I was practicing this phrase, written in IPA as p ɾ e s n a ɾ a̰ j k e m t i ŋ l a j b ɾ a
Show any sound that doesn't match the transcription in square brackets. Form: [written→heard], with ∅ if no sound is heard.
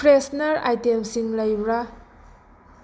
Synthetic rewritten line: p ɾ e s n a ɾ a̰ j [k→t] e m [t→s] i ŋ l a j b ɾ a

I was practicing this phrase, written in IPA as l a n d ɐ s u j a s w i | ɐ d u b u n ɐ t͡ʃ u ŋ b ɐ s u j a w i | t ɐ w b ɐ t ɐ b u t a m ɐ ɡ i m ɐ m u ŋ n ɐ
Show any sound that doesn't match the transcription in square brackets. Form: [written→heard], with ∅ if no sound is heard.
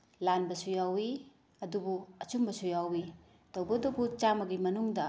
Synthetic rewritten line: l a n [d→b] ɐ s u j a [s→∅] w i | ɐ d u b u [n→∅] ɐ t͡ʃ u [ŋ→m] b ɐ s u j a w i | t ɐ w b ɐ [t→d] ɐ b u [t→t͡ʃ] a m ɐ ɡ i m ɐ [m→n] u ŋ [n→d] ɐ

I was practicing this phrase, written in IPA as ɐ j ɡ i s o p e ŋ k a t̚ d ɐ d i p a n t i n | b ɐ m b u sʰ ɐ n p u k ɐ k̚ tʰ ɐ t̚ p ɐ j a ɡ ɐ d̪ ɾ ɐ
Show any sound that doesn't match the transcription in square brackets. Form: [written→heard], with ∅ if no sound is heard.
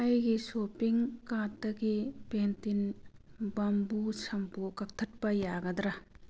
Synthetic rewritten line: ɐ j ɡ i s o p [e→i] ŋ k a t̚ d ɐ [d→ɡ] i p [a→e] n t i n | b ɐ m b u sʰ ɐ [n→m] p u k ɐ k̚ tʰ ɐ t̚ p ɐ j a ɡ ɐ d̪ ɾ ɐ

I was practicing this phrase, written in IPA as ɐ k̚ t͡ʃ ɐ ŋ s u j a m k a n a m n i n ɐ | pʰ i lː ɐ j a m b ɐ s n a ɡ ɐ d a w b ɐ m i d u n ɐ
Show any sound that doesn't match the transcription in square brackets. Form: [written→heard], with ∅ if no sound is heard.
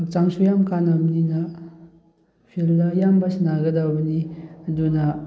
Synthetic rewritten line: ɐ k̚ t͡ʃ [ɐ→a] ŋ s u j a m k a n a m n i n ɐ | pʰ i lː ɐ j a m b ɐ s n a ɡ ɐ d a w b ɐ [m→n] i d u n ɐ

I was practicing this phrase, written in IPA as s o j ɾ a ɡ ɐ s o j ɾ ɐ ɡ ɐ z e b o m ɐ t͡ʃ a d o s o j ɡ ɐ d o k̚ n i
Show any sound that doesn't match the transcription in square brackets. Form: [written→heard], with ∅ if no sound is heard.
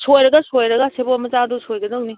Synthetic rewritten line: s o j ɾ [a→ɐ] ɡ ɐ s o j ɾ ɐ ɡ ɐ [z→s] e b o m ɐ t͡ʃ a d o s o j ɡ ɐ d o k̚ n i

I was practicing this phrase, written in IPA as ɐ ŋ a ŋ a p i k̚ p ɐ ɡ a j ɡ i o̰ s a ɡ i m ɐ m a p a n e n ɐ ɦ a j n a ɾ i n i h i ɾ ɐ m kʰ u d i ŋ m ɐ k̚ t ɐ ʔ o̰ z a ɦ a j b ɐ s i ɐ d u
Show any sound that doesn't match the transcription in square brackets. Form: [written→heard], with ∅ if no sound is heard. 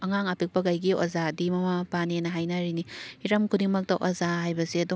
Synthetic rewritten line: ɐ ŋ a ŋ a p i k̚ p ɐ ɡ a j ɡ i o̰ [s→z] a [ɡ→d] i m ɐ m a p a n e n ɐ ɦ a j n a ɾ i n i h i ɾ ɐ m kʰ u d i ŋ m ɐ k̚ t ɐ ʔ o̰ z a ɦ a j b ɐ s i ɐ d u

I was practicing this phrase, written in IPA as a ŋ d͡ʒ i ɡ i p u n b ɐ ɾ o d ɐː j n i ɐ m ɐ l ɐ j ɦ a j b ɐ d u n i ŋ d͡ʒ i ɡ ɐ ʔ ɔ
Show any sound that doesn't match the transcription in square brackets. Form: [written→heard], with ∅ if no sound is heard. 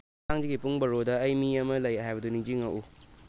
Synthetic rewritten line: a ŋ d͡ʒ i ɡ i p u [n→ŋ] b ɐ ɾ o d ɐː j [n→m] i ɐ m ɐ l ɐ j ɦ a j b ɐ d u n i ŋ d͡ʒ i [ɡ→ŋ] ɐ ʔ [ɔ→u]

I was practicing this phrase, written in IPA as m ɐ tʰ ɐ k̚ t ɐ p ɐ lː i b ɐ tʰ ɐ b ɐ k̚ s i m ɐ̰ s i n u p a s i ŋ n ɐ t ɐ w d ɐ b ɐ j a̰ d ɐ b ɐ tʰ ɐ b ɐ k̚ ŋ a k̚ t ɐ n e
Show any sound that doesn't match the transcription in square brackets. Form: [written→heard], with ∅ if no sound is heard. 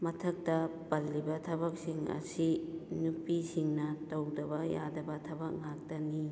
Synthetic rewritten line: m ɐ tʰ ɐ k̚ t ɐ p ɐ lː i b ɐ tʰ ɐ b ɐ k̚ s i [m→ŋ] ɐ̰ s i n u p [a→i] s i ŋ n ɐ t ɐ w d ɐ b ɐ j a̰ d ɐ b ɐ tʰ ɐ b ɐ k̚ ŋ a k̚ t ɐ n [e→i]

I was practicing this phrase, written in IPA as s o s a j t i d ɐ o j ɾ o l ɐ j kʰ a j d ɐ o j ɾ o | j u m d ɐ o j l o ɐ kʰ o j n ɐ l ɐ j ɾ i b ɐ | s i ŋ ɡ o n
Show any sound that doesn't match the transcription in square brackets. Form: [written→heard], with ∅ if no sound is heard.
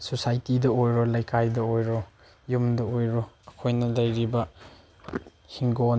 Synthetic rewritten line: s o s a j t i d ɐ o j ɾ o l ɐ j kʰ a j d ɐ o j ɾ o | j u m d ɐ o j [l→ɾ] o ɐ kʰ o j n ɐ l ɐ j ɾ i b ɐ | [s→h] i ŋ ɡ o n

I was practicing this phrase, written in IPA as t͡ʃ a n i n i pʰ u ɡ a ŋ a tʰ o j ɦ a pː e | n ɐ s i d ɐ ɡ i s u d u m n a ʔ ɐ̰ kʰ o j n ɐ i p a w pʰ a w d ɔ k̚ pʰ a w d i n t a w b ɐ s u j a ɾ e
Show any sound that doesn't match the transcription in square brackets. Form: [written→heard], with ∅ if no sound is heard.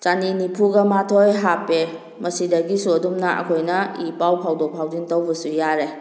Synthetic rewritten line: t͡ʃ a n i n i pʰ u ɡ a [ŋ→m] a tʰ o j ɦ a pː e | [n→m] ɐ s i d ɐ ɡ i s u d u m n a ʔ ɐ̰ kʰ o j n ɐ i p a w pʰ a w d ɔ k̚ pʰ a w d i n t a w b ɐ s u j a ɾ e

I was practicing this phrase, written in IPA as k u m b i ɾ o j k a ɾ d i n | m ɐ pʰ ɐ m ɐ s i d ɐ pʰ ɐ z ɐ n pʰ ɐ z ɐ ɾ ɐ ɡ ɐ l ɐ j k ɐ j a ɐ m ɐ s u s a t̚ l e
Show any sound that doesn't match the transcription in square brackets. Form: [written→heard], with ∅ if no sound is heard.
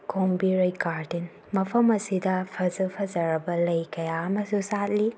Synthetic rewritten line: k [u→o] m b i ɾ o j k a ɾ d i n | m ɐ pʰ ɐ m ɐ s i d ɐ pʰ ɐ z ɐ [n→∅] pʰ ɐ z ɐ ɾ ɐ [ɡ→b] ɐ l ɐ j k ɐ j a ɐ m ɐ s u s a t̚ l [e→i]

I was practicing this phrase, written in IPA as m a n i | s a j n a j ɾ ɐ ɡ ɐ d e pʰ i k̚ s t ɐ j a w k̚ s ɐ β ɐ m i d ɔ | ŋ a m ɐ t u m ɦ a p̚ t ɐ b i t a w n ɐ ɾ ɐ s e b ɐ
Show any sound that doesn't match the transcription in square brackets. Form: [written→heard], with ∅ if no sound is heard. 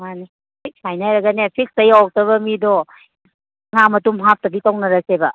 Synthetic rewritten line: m a n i | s a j n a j ɾ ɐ ɡ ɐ [d→n] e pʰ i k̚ s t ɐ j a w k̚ [s→t] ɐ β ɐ m i d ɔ | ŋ a m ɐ t u m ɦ a p̚ t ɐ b i t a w n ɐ ɾ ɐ s e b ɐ

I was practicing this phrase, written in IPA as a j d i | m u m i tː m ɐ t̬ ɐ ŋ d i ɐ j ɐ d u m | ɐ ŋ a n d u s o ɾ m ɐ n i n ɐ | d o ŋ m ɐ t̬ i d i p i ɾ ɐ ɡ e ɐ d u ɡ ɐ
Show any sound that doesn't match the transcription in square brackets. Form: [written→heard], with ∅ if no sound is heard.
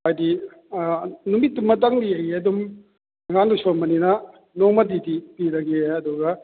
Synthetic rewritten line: a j d i | [m→n] u m i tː m ɐ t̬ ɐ ŋ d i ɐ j ɐ d u m | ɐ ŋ a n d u s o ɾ m ɐ n i n ɐ | [d→n] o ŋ m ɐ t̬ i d i p i ɾ ɐ ɡ e ɐ d u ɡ ɐ

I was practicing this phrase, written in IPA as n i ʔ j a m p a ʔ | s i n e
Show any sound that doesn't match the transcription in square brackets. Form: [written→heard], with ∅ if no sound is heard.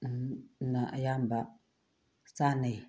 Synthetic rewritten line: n [i→a] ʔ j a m [p→b] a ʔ | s [i→a] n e

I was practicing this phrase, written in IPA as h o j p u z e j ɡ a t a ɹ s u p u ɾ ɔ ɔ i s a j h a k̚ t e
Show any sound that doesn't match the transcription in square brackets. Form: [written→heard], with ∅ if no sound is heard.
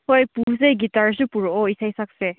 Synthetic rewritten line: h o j p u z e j ɡ [a→i] t a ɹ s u p u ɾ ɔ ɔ i s a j [h→s] a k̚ [t→s] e

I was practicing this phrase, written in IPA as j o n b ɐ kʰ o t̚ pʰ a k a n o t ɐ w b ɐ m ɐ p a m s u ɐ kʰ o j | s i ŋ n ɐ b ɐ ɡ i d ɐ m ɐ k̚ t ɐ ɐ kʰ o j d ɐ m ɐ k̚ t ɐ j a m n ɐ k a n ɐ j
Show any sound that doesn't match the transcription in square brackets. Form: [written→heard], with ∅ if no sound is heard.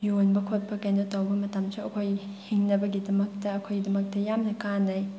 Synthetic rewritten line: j o n b ɐ kʰ o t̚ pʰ [a→ɐ] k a n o t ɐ w b ɐ m ɐ [p→t] a m s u ɐ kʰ o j | [s→h] i ŋ n ɐ b ɐ ɡ i d ɐ m ɐ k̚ t ɐ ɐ kʰ o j d ɐ m ɐ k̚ t ɐ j a m n ɐ k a n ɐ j

